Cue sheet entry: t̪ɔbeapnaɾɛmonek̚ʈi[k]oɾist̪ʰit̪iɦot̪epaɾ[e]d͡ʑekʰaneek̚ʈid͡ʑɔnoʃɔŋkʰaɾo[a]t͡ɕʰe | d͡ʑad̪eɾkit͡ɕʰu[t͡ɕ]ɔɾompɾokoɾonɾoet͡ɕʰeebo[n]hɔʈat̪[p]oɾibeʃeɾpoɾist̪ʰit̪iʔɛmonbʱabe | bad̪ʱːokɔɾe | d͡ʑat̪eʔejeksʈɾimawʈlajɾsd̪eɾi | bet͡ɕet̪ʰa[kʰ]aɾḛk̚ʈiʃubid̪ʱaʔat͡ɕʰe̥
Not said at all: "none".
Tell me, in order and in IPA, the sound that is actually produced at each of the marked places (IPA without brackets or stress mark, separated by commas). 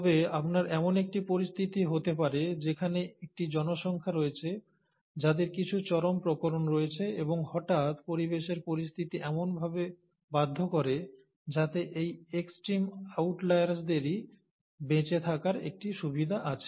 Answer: p, e, e, t͡ɕ, ŋ, p, k